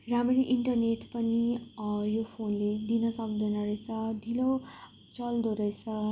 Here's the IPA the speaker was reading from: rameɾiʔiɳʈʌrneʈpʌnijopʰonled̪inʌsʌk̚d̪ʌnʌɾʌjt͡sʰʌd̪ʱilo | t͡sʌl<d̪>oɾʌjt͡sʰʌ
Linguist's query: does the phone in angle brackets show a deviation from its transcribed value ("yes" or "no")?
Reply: no